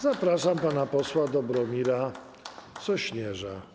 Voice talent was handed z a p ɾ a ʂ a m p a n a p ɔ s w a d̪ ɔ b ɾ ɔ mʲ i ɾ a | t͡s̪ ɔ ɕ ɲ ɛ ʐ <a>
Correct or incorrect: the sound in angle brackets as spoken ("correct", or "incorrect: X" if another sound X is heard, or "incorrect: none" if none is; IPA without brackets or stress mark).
correct